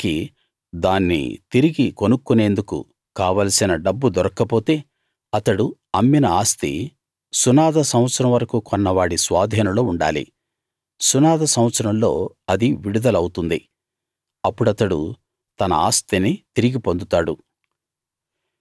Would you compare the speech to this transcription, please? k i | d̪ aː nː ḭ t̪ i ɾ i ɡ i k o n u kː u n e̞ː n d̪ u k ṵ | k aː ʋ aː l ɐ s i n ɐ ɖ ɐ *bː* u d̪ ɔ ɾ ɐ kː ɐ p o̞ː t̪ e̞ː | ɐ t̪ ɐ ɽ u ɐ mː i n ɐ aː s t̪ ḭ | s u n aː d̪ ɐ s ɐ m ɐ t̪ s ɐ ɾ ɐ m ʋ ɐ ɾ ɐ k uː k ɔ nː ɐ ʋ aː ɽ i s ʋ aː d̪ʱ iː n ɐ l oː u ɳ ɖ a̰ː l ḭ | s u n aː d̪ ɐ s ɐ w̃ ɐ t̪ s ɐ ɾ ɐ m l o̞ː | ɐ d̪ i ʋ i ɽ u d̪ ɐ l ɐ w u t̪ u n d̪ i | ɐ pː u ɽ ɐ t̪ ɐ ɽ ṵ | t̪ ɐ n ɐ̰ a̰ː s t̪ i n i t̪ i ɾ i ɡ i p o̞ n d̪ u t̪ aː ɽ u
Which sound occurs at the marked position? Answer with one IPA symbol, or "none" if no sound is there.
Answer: bː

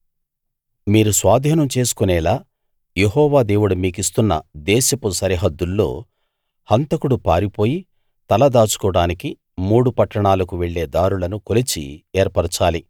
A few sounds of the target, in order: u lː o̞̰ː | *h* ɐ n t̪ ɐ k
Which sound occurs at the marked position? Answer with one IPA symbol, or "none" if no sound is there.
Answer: h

